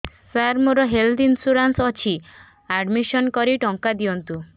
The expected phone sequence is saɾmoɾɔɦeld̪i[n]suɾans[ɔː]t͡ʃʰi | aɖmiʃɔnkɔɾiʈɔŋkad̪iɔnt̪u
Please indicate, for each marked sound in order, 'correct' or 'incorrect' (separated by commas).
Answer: correct, incorrect